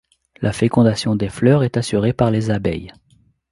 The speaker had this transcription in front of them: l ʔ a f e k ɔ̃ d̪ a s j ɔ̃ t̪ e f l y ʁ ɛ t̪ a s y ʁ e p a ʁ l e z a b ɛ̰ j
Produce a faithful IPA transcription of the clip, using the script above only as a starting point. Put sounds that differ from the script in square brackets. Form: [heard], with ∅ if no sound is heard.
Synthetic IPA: l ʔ a f e k ɔ̃ d̪ a s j ɔ̃ [d̪] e f l [œ] ʁ ɛ t̪ a s y ʁ e p a ʁ l e z a b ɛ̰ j